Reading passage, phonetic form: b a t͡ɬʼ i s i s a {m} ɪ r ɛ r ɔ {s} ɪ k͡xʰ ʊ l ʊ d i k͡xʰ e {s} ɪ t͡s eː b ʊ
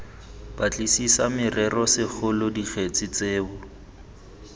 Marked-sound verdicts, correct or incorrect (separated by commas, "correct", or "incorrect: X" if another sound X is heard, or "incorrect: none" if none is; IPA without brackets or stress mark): correct, correct, incorrect: t͡s